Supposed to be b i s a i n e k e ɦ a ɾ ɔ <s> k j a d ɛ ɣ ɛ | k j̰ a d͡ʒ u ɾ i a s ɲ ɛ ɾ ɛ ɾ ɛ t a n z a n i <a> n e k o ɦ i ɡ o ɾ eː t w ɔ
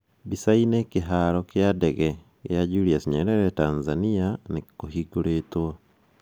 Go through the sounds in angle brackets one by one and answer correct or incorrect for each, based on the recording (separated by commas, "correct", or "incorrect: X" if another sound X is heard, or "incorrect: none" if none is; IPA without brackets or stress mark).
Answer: incorrect: none, correct